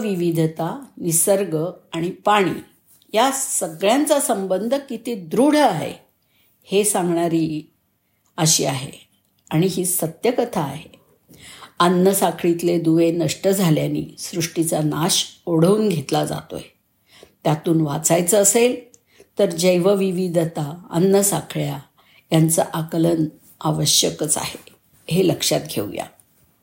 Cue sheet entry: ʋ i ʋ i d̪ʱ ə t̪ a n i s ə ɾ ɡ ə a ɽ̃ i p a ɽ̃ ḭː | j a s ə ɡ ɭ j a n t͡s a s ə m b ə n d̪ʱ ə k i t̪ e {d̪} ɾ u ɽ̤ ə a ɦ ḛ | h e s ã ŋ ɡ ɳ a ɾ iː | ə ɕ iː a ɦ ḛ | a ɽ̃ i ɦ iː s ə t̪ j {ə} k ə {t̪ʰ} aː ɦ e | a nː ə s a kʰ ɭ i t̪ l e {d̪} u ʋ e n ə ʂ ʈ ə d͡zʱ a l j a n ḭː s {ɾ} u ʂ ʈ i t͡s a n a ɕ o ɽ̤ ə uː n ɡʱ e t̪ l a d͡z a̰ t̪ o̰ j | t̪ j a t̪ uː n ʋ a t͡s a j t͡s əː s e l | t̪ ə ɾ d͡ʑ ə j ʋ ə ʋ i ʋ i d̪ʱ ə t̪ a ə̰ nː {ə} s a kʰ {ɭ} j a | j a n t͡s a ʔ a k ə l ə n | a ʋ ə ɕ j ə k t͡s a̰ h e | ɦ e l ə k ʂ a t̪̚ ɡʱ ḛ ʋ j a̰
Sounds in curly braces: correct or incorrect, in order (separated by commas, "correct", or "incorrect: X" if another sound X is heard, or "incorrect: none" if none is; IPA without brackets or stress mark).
correct, correct, correct, correct, correct, correct, correct